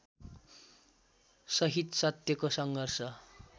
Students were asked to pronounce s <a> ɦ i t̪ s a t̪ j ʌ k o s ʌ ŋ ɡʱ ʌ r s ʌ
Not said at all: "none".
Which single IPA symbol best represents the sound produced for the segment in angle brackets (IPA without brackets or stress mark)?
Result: ʌ